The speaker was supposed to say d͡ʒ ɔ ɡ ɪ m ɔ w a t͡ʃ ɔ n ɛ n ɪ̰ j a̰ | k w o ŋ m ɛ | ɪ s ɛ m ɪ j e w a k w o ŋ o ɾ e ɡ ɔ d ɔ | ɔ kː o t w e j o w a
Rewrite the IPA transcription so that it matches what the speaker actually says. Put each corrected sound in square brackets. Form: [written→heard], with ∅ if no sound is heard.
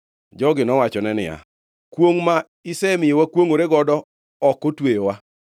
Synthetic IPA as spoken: d͡ʒ ɔ ɡ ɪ [m→n] ɔ w a t͡ʃ ɔ n ɛ n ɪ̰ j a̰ | k w o ŋ m [ɛ→a] | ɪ s ɛ m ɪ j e w a k w o ŋ o ɾ e ɡ ɔ d ɔ | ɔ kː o t w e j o w a